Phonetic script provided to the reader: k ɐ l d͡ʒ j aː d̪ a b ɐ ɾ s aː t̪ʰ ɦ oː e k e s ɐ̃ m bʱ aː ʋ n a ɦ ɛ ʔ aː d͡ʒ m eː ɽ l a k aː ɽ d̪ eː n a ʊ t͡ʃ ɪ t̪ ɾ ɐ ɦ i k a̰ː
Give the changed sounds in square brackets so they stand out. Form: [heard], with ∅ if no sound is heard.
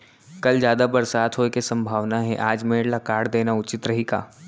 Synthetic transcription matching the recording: k ɐ l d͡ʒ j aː d̪ a b ɐ ɾ s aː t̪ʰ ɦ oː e k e s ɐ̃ m bʱ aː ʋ n a ɦ ɛ ʔ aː d͡ʒ m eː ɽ l a k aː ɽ d̪ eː n a ʊ t͡ʃ ɪ t̪ ɾ ɐ ɦ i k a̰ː

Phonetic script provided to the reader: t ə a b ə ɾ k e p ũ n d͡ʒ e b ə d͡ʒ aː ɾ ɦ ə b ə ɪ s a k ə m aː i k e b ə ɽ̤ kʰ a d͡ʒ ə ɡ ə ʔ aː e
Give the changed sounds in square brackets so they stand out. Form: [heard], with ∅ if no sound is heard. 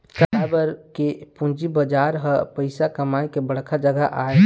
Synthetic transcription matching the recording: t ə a b ə ɾ k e p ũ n d͡ʒ [i] b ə d͡ʒ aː ɾ ɦ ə [p] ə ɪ s a k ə m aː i k e b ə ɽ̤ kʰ a d͡ʒ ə ɡ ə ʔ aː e

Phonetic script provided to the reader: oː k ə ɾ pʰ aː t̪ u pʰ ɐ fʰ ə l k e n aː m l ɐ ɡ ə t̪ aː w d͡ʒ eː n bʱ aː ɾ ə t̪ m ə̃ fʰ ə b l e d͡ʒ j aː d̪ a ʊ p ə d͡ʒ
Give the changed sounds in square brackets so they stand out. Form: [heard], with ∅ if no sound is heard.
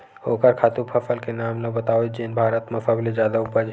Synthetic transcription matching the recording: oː k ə ɾ [kʰ] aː t̪ u pʰ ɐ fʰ ə l k e n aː m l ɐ [b] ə t̪ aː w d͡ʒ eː n bʱ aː ɾ ə t̪ m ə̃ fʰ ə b l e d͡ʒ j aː d̪ a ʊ p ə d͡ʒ

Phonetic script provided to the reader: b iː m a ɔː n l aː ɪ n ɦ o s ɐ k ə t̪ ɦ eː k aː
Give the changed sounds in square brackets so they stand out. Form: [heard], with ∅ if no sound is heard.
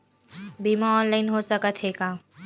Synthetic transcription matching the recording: b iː m a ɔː n l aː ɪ n ɦ o s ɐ k ə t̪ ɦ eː [ɡ] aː

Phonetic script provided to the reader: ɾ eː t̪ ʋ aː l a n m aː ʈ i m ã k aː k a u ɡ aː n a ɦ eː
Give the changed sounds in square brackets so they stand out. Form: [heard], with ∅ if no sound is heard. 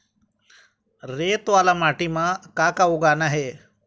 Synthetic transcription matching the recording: ɾ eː t̪ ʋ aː l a [∅] m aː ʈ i m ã k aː k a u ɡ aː n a ɦ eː

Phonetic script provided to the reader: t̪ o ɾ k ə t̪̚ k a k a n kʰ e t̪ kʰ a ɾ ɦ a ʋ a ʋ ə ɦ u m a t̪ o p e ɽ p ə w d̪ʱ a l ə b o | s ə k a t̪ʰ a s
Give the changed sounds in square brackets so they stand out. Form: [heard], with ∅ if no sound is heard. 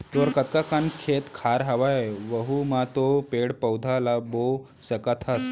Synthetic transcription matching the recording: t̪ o ɾ k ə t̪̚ k a k a n kʰ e t̪ kʰ a ɾ ɦ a ʋ a ʋ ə ɦ u m a t̪ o p e ɽ p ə w d̪ʱ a l [a] b o | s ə k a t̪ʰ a s

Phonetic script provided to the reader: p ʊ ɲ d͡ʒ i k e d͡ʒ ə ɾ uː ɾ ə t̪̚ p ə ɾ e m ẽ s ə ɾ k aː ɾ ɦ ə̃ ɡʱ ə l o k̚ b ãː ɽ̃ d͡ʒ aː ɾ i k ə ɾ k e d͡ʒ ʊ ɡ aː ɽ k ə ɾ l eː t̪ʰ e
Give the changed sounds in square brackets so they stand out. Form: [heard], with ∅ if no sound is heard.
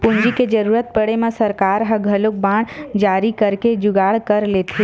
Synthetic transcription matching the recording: p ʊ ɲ d͡ʒ i k e d͡ʒ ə ɾ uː ɾ ə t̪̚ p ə [ɽ] e m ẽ s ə ɾ k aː ɾ ɦ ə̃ ɡʱ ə l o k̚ b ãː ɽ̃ d͡ʒ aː ɾ i k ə ɾ k e d͡ʒ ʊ ɡ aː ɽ k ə ɾ l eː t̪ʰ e

